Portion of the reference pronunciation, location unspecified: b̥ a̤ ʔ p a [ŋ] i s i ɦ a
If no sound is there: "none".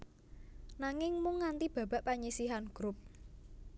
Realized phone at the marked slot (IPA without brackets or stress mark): ɲ